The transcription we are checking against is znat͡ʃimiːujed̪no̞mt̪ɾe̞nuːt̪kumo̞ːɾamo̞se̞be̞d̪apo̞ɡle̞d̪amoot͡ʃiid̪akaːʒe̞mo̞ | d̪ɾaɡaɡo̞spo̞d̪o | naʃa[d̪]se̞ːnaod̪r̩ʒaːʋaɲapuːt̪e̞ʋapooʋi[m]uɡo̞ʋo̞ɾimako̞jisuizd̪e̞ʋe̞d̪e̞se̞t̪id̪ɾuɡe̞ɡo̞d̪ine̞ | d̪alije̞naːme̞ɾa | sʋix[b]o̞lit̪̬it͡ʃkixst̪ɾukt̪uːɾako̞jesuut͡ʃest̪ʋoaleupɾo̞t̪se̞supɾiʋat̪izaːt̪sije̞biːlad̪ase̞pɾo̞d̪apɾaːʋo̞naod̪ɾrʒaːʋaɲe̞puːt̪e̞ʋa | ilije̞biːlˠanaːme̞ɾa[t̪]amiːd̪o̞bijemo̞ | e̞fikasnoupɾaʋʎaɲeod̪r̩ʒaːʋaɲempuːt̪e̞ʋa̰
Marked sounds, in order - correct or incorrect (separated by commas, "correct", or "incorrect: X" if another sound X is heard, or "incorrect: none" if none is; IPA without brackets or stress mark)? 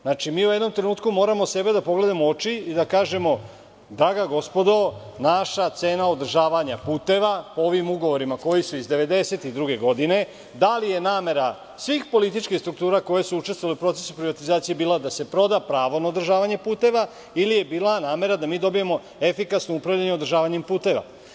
incorrect: t̪, correct, incorrect: p, incorrect: d̪